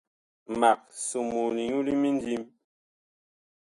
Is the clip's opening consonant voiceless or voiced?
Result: voiced